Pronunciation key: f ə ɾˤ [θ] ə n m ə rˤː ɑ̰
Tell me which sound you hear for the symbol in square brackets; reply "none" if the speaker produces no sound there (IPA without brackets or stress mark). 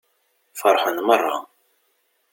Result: ħ